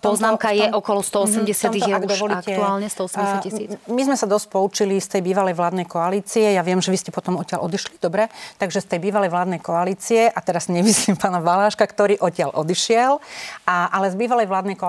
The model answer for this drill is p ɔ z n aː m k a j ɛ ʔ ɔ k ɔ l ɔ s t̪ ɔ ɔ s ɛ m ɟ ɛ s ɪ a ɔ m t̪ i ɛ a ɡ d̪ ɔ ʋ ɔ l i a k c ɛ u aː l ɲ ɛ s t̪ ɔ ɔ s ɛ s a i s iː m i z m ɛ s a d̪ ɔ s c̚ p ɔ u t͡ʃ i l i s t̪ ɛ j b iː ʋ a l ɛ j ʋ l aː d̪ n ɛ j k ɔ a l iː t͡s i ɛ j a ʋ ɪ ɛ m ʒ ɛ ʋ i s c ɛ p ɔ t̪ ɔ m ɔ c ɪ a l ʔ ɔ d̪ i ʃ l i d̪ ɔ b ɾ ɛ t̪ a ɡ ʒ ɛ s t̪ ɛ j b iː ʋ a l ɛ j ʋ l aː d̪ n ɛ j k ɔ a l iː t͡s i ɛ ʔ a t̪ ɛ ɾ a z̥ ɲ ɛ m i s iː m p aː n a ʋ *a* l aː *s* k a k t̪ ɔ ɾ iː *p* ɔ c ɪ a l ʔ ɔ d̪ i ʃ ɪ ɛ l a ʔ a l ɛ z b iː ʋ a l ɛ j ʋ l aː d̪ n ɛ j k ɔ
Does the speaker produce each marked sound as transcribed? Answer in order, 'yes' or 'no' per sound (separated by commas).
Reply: yes, no, no